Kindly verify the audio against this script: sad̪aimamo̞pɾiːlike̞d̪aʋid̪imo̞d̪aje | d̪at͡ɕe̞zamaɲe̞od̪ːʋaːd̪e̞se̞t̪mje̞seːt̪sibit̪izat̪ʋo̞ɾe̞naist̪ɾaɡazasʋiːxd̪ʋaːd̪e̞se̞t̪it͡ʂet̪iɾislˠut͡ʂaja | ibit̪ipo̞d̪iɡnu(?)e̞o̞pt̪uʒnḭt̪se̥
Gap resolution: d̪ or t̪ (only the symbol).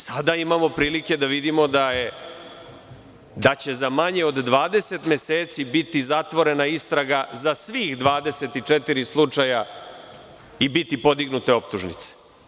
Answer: t̪